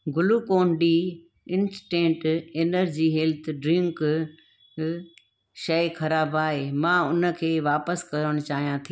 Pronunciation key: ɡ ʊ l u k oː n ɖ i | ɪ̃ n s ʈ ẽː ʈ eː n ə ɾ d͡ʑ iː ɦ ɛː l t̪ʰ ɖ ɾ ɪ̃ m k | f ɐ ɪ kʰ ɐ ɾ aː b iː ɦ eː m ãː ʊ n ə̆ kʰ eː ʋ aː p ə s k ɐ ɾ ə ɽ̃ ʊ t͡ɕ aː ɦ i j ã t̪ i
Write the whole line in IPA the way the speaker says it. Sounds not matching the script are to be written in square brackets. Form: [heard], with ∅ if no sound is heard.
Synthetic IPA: ɡ ʊ l u k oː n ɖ i | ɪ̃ n s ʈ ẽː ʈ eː n ə ɾ d͡ʑ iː ɦ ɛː l t̪ʰ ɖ ɾ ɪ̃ [ŋ] k | [ʃ] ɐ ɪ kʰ ɐ ɾ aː b [aː] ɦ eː m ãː ʊ n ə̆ kʰ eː ʋ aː p ə s k ɐ ɾ ə ɽ̃ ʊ t͡ɕ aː ɦ i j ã [t̪ʰ] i

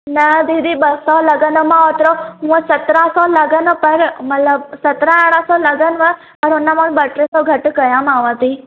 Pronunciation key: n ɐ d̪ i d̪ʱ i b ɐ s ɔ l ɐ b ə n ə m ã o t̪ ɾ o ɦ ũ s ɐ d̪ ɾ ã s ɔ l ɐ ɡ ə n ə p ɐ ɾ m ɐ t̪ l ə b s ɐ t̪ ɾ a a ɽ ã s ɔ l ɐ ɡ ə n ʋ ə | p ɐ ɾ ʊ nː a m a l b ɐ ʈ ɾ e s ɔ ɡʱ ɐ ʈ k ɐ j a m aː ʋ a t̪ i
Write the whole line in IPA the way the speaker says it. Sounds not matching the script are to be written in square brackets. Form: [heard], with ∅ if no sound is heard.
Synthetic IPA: n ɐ d̪ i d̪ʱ i b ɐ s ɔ l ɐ [ɡ] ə n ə m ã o t̪ ɾ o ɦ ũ s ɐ [t̪] ɾ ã s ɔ l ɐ ɡ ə n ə p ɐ ɾ m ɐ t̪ l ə b s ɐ t̪ ɾ a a ɽ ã s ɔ l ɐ ɡ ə n ʋ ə | p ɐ ɾ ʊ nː a m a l b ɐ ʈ ɾ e s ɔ ɡʱ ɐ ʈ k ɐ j a m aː ʋ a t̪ i

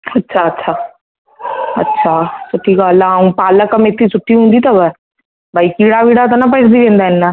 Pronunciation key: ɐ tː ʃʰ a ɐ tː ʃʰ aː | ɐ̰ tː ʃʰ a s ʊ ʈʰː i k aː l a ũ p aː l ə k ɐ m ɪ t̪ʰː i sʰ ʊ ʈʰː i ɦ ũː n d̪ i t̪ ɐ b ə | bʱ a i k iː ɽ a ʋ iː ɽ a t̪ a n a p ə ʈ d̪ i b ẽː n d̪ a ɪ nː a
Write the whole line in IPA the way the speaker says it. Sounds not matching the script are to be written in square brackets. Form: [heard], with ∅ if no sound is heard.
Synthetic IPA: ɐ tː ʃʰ a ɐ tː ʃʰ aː | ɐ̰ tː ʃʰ a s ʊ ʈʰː i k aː l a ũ p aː l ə k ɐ m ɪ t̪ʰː i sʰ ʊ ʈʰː i ɦ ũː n d̪ i t̪ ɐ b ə | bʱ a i k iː ɽ a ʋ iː ɽ a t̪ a n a p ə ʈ d̪ i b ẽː n d̪ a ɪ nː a

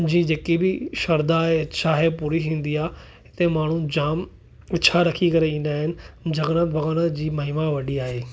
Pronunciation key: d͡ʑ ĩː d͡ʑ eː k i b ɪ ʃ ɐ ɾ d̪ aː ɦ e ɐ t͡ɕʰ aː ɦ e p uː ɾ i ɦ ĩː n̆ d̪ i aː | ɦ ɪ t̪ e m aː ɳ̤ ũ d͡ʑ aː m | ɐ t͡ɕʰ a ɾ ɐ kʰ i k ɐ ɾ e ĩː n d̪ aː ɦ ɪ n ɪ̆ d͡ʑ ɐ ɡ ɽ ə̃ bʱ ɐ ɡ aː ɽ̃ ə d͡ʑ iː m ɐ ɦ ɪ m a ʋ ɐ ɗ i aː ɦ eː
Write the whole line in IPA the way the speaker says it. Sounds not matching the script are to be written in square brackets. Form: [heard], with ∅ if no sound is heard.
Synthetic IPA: d͡ʑ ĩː d͡ʑ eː k i b ɪ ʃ ɐ ɾ d̪ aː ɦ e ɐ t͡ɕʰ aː ɦ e p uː ɾ i ɦ ĩː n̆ d̪ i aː | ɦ ɪ t̪ e m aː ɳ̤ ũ d͡ʑ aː m | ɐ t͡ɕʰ a ɾ ɐ kʰ i k ɐ ɾ e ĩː n d̪ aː ɦ ɪ n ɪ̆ d͡ʑ ɐ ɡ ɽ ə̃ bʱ ɐ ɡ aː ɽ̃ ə d͡ʑ iː m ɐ ɦ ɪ m a ʋ ɐ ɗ i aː ɦ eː

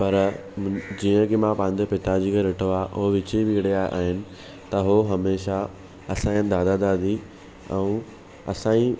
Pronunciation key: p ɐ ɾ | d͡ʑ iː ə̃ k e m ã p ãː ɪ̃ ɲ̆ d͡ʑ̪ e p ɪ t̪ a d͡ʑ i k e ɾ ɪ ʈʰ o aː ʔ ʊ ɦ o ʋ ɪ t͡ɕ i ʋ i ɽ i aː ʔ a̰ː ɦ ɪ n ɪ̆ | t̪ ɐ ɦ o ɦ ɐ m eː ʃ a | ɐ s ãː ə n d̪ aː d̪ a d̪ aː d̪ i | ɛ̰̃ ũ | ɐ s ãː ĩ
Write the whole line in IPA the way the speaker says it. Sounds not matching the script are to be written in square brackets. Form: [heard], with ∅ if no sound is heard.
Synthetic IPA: p ɐ ɾ | d͡ʑ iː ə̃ k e m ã p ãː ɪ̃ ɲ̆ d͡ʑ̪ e p ɪ t̪ a d͡ʑ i k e ɾ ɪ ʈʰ o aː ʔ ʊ ɦ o ʋ ɪ t͡ɕ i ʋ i ɽ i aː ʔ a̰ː ɦ ɪ n ɪ̆ | t̪ ɐ ɦ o ɦ ɐ m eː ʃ a | ɐ s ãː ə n d̪ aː d̪ a d̪ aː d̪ i | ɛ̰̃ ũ | ɐ s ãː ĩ

